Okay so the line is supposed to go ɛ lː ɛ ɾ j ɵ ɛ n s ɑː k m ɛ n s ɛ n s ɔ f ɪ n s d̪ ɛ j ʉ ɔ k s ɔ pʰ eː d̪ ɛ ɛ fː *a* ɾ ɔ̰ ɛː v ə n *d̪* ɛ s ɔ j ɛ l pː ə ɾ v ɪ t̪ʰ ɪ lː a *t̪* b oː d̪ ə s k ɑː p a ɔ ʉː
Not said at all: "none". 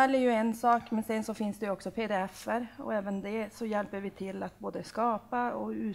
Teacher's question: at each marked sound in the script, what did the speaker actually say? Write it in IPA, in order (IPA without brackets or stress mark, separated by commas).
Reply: ə, d̪, t̪